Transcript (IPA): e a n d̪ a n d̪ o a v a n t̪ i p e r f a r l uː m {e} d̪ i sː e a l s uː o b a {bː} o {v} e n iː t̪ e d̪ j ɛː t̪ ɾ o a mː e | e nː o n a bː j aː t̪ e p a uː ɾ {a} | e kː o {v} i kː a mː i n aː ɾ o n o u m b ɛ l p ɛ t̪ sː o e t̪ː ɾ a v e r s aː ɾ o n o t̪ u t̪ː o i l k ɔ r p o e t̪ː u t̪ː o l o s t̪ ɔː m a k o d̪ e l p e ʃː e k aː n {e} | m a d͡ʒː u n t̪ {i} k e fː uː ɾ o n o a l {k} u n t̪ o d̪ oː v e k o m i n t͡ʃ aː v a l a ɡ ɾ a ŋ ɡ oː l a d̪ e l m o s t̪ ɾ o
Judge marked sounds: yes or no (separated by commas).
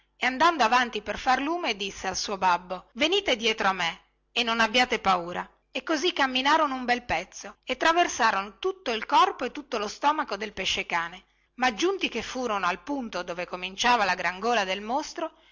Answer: yes, yes, yes, yes, no, yes, yes, no